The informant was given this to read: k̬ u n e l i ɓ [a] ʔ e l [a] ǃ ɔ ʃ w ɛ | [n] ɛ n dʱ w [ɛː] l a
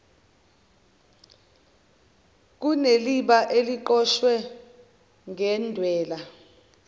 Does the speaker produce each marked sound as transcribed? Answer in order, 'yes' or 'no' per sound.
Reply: yes, no, no, yes

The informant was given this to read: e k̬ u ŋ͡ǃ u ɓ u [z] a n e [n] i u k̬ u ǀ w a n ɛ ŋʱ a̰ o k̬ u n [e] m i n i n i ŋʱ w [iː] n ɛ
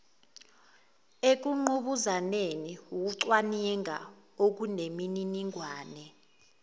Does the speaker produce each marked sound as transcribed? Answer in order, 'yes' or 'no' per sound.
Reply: yes, yes, yes, no

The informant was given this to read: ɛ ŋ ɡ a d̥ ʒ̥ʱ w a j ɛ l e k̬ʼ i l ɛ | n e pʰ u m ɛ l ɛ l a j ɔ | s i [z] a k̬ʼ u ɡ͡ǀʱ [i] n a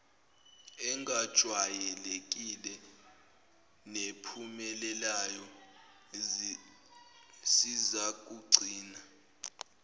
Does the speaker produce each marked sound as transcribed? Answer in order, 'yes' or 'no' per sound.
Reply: yes, no

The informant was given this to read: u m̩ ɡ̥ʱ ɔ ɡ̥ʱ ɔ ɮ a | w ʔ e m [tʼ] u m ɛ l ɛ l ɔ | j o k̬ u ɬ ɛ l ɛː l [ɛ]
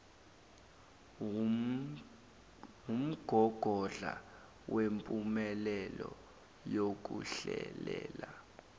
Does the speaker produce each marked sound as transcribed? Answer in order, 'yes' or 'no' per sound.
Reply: no, no

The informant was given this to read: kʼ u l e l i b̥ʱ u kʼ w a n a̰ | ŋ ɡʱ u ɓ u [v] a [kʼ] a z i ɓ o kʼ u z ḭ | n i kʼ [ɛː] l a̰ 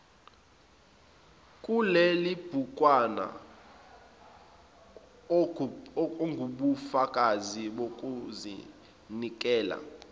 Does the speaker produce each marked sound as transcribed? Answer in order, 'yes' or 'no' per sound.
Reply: no, yes, yes

